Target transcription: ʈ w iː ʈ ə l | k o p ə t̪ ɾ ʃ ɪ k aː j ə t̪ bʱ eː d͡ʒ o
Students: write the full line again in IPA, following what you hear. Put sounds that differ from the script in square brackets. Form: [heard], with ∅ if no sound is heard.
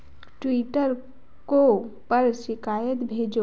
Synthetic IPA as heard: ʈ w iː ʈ ə [ɾ] | k o p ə [∅] ɾ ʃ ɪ k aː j ə t̪ bʱ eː d͡ʒ o